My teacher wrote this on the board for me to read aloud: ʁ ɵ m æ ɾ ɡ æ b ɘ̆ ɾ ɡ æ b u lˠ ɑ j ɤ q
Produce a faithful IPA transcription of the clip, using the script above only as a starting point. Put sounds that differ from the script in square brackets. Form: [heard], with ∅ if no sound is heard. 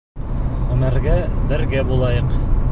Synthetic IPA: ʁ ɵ m æ ɾ ɡ æ b ɘ̆ ɾ ɡ æ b u lˠ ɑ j ɤ q